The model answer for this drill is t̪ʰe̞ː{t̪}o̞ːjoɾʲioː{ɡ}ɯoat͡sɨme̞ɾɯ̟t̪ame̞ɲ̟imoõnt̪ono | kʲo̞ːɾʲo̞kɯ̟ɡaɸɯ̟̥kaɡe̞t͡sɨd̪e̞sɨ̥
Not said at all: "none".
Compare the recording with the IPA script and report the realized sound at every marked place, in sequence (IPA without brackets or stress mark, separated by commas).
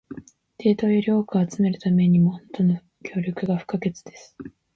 t̪, k